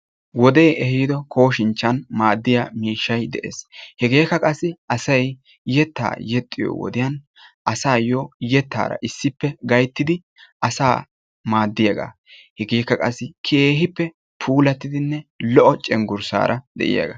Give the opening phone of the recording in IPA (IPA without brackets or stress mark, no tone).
w